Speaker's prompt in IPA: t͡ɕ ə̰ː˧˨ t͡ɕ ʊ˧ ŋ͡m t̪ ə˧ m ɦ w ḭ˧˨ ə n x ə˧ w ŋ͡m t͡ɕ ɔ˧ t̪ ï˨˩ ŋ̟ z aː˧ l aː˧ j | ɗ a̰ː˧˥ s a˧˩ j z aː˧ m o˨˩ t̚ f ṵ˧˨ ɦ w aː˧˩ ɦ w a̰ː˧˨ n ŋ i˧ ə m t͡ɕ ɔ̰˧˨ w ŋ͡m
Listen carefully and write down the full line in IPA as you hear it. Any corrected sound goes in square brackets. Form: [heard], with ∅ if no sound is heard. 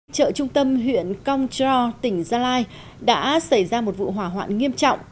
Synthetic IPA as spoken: t͡ɕ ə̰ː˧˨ t͡ɕ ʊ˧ ŋ͡m t̪ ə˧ m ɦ w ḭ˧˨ ə n [k] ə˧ w ŋ͡m t͡ɕ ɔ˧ t̪ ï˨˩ ŋ̟ z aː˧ l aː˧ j | ɗ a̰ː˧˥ s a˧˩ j z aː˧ m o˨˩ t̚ [v] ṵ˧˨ ɦ w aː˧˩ ɦ w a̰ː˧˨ n ŋ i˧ ə m t͡ɕ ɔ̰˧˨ w ŋ͡m